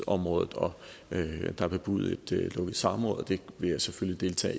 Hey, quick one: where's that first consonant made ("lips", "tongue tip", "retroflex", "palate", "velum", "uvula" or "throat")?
lips